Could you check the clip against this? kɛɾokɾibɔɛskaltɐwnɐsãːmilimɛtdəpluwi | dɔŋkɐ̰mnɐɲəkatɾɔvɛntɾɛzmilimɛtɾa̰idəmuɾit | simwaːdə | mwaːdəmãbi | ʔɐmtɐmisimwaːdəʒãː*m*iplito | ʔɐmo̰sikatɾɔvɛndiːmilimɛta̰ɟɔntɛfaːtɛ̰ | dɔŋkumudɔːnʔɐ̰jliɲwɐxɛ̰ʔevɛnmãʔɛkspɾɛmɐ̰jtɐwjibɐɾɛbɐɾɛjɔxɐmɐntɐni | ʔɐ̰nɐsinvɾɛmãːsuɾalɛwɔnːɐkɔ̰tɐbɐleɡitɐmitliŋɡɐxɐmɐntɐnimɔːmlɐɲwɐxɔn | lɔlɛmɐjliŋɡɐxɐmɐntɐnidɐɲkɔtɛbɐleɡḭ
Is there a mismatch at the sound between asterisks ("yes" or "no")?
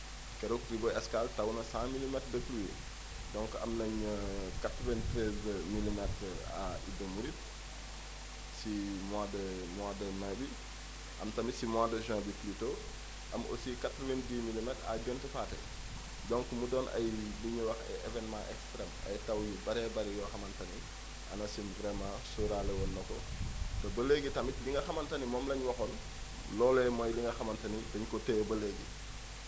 yes